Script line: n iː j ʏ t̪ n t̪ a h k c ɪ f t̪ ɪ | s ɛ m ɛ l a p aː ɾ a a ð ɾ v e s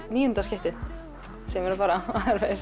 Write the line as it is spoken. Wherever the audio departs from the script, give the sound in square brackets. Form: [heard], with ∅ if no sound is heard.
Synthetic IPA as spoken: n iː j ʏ [∅] n t̪ a [s] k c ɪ [h] t̪ ɪ | s ɛ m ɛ [ɾ] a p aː ɾ a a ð ɾ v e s